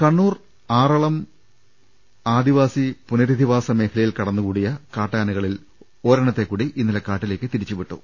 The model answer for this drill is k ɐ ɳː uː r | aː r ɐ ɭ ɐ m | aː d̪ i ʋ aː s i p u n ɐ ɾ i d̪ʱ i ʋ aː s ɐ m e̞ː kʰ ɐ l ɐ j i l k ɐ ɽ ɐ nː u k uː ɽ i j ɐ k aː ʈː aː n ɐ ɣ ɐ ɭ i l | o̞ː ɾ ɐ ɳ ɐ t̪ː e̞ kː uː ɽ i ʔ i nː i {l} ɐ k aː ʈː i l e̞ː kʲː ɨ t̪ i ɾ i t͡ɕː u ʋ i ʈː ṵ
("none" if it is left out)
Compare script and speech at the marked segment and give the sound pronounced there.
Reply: l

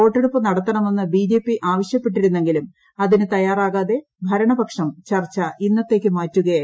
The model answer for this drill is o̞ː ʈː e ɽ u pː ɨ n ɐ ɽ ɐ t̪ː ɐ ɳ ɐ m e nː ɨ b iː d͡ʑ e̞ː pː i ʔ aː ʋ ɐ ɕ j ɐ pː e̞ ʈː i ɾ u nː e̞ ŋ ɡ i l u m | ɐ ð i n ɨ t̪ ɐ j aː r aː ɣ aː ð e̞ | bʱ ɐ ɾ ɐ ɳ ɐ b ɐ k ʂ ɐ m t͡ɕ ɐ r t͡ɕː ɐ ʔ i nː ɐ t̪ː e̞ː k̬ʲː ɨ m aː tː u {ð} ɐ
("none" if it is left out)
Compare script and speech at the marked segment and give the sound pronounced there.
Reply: ɣ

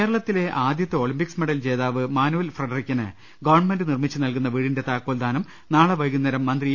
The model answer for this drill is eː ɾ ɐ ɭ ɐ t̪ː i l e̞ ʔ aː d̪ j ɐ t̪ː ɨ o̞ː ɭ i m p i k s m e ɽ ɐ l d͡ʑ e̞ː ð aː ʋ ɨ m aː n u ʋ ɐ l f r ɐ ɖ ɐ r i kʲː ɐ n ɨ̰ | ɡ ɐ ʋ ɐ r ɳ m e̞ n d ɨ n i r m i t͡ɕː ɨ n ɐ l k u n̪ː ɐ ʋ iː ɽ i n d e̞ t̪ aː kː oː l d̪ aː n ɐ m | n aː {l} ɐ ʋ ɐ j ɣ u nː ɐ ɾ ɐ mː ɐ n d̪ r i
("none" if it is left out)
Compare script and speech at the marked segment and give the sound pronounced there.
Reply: ɭ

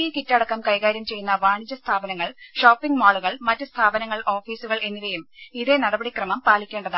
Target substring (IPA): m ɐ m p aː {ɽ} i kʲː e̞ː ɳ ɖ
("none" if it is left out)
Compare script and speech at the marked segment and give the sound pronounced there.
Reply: l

